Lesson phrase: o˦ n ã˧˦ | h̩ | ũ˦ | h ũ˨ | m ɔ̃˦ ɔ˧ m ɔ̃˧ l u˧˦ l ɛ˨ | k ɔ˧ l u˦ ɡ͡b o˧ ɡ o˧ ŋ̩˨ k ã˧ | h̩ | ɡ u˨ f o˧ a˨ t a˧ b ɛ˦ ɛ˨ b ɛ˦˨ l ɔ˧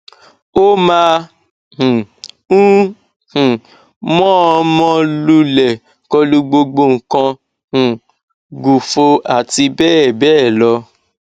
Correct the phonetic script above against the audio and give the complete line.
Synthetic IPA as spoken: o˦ m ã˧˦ | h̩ | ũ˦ | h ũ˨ | m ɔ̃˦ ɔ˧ m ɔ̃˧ l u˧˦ l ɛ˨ | k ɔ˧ l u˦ ɡ͡b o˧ ɡ͡b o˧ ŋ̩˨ k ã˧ | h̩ | ɡ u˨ f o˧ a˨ t i˧ b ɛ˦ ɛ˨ b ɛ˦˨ l ɔ˧

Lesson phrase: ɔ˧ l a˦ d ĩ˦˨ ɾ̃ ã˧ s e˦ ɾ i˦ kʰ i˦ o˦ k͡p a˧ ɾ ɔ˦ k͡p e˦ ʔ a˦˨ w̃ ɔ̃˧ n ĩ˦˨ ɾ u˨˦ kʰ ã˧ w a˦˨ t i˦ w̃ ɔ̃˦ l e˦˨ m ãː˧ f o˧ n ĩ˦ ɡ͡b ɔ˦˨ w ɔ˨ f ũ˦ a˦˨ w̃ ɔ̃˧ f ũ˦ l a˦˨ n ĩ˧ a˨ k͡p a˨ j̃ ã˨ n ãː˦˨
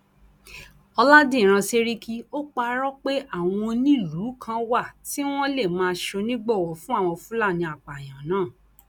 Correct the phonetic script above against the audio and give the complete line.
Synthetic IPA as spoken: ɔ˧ l a˦ d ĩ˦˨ ɾ̃ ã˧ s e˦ ɾ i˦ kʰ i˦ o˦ k͡p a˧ ɾ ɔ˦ k͡p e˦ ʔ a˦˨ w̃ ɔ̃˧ n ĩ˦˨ l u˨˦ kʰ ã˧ w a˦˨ t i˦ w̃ ɔ̃˦ l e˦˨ m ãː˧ ʃ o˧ n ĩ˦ ɡ͡b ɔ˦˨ w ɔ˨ f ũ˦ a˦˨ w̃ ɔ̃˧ f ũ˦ l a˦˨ n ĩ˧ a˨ k͡p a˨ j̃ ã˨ n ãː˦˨

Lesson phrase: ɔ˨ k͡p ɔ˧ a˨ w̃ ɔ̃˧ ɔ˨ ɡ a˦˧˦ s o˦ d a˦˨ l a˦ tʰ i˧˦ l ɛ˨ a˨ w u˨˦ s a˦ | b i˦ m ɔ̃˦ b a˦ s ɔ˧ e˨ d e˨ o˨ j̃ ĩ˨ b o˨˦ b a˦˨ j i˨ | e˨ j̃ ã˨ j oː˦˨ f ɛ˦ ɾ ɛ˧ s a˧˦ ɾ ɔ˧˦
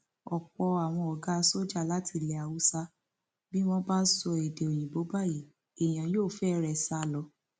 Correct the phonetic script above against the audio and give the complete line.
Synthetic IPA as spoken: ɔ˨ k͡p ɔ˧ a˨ w̃ ɔ̃˧ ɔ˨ ɡ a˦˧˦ s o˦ d͡ʒ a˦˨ l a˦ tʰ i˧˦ l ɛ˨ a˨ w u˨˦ s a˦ | b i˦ m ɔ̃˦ b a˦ s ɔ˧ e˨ d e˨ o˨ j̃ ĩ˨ b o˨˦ b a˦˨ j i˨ | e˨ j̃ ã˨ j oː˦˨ f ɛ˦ ɾ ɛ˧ s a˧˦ l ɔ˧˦

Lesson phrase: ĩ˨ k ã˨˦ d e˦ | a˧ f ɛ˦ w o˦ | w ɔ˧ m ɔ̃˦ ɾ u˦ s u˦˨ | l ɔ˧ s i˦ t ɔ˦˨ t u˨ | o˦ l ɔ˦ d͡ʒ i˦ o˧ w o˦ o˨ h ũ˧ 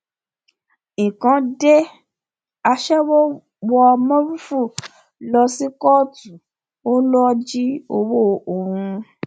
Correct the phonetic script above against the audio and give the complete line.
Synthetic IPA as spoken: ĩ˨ k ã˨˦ d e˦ | a˧ ʃ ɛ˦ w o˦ | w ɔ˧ m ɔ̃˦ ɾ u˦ f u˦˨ | l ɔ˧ s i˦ k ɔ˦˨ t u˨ | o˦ l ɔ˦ d͡ʒ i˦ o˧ w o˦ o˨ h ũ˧

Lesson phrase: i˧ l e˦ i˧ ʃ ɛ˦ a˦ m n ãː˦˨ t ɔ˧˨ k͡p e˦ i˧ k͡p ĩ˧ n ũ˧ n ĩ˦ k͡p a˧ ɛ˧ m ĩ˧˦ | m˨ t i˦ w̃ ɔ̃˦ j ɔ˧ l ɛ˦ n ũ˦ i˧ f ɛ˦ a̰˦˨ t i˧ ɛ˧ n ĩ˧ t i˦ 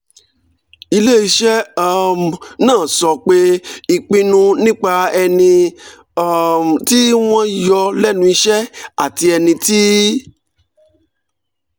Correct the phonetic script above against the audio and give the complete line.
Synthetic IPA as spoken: i˧ l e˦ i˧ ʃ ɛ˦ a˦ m n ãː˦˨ s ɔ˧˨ k͡p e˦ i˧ k͡p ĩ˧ n ũ˧ n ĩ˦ k͡p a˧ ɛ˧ n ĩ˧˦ | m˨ t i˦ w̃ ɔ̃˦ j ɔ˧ l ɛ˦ n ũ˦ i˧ ʃ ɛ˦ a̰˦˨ t i˧ ɛ˧ n ĩ˧ t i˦

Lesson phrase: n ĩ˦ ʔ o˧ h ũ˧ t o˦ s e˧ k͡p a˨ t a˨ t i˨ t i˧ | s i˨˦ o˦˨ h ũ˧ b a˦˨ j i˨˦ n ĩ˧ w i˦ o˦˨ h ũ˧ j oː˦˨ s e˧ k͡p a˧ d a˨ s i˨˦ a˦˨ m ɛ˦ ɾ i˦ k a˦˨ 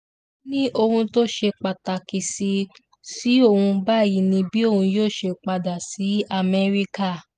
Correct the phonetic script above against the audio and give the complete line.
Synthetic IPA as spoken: n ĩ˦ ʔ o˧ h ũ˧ t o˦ ʃ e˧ k͡p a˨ t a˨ k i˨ s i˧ | s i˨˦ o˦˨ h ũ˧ b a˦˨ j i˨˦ n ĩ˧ b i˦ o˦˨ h ũ˧ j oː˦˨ ʃ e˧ k͡p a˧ d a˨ s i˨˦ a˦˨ m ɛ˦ ɾ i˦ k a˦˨

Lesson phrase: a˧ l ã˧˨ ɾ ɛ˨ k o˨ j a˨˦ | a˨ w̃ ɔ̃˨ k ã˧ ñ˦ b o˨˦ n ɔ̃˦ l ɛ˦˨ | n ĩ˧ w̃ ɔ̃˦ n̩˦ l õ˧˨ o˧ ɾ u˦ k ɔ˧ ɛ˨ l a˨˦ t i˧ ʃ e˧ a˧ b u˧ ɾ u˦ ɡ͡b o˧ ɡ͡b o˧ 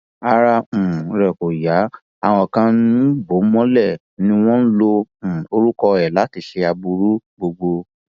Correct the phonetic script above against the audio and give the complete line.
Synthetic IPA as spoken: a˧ ɾ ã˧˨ ɾ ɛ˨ k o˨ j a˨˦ | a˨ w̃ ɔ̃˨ k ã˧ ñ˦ b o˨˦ m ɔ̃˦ l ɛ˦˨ | n ĩ˧ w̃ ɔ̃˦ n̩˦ l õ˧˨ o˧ ɾ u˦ k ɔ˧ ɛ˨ l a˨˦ t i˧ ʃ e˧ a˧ b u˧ ɾ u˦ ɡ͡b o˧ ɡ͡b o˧

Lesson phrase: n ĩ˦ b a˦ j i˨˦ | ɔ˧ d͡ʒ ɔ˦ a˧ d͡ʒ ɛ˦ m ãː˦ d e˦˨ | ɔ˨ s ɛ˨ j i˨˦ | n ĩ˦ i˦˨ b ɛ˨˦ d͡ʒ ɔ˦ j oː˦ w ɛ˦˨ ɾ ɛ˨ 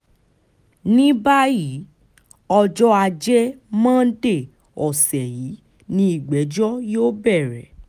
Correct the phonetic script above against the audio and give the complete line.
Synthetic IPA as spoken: n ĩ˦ b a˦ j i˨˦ | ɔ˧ d͡ʒ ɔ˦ a˧ d͡ʒ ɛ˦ m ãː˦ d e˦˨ | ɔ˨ s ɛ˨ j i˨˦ | n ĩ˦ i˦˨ ɡ͡b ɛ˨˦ d͡ʒ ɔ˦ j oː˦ b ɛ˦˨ ɾ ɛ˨

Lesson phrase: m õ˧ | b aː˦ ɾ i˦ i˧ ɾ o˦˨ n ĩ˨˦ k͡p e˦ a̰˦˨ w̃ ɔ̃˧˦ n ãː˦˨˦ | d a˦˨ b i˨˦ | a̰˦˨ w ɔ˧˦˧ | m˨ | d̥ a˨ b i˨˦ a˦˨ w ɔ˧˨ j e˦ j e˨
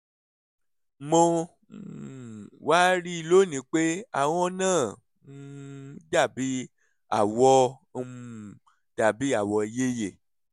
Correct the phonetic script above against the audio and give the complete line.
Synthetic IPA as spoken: m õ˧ | w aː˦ ɾ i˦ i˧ l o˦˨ n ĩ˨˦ k͡p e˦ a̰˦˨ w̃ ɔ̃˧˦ n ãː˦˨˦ | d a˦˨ b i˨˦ | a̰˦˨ w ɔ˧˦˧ | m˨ | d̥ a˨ b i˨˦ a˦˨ w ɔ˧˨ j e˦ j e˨

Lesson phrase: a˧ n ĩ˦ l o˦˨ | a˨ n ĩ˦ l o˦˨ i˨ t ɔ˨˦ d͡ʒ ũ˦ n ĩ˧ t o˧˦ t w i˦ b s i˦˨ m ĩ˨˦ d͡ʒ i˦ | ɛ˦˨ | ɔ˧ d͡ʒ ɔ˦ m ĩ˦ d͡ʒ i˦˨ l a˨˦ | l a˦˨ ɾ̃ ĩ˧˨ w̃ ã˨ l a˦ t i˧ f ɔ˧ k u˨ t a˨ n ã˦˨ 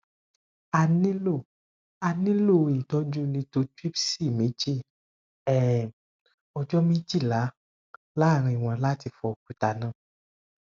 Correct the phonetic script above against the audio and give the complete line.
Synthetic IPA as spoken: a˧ n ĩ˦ l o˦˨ | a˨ n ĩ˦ l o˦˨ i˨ t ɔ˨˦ d͡ʒ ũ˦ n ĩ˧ t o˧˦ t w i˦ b s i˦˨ m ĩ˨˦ d͡ʒ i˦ | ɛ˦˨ | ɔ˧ d͡ʒ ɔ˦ m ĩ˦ d͡ʒ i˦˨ l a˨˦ | l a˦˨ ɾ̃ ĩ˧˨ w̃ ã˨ l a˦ t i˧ f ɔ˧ k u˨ t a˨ n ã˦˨

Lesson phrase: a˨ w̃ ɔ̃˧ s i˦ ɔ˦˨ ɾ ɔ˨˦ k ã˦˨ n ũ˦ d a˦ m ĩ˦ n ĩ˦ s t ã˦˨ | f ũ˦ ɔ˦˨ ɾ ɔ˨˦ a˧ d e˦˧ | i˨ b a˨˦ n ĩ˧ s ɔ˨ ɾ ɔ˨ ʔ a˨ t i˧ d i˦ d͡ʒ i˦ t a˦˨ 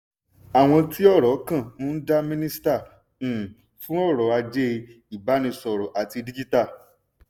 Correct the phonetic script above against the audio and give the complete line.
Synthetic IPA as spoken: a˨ w̃ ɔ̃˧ t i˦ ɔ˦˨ ɾ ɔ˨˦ k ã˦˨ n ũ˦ d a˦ m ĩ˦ n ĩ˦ s t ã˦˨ | f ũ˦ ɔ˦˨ ɾ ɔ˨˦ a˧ d͡ʒ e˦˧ | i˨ b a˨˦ n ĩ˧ s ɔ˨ ɾ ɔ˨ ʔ a˨ t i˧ d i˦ d͡ʒ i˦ t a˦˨

